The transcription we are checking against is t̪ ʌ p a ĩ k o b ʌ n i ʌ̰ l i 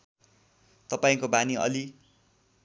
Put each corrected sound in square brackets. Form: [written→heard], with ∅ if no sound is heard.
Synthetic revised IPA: t̪ ʌ p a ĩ k o b [ʌ→a] n i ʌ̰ l i